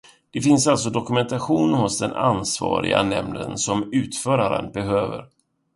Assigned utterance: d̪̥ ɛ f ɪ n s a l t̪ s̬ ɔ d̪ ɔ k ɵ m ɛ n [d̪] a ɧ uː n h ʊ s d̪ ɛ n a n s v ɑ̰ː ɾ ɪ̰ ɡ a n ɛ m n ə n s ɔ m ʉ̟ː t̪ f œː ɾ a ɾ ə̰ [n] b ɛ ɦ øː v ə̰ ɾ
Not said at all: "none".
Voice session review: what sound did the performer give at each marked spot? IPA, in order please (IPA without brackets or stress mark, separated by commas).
t̪, n